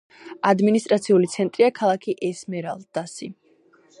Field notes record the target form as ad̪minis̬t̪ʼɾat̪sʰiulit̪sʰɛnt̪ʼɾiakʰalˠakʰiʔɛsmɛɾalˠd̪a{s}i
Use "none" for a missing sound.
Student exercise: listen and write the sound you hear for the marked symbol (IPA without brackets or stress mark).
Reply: s